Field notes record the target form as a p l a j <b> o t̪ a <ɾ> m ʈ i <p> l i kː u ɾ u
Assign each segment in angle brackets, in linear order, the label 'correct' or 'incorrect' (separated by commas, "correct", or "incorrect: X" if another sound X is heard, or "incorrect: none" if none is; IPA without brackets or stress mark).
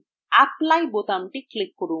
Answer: correct, incorrect: none, incorrect: k